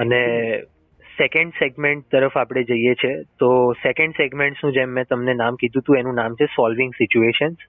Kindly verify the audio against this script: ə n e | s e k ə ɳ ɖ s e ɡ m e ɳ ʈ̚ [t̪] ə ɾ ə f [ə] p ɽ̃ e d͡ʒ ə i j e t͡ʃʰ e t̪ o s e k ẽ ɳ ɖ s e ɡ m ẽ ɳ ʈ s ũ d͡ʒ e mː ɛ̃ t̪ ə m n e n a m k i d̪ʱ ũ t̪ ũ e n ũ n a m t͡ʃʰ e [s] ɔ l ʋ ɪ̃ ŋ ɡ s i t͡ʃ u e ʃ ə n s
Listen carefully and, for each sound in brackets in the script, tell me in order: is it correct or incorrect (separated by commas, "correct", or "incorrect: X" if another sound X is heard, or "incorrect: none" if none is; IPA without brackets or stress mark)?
correct, incorrect: a, correct